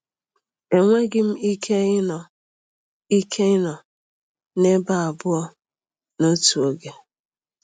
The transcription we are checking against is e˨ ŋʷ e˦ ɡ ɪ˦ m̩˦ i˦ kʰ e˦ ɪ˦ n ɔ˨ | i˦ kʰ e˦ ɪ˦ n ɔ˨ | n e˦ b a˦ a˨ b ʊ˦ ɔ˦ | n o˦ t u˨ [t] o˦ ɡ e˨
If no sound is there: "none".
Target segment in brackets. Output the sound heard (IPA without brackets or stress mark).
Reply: none